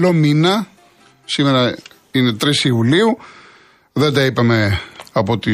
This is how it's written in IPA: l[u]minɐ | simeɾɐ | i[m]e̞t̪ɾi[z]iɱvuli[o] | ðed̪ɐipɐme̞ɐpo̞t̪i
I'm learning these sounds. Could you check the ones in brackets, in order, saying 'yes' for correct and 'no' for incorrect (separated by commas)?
no, no, no, no